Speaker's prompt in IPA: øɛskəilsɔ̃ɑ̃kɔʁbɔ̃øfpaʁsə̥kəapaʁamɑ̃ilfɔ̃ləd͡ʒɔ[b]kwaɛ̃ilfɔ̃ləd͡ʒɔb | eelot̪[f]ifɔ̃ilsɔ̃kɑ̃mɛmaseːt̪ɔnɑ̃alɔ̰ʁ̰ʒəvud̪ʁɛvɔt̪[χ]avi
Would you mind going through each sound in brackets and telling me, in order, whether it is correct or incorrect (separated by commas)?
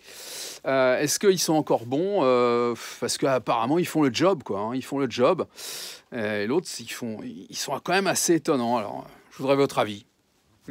correct, incorrect, correct